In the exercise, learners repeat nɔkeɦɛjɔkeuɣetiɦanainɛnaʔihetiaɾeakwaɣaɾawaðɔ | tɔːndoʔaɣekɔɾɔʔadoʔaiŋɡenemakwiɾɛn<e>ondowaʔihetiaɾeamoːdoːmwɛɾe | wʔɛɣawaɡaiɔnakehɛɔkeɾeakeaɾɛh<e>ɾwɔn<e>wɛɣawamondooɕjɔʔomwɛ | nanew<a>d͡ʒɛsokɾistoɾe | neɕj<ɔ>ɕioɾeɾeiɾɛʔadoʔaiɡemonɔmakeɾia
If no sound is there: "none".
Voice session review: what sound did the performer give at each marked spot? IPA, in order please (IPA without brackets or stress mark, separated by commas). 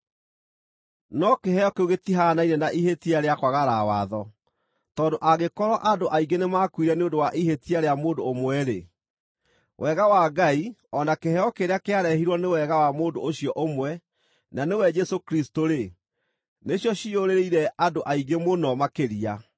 e, i, e, ɛ, ɔ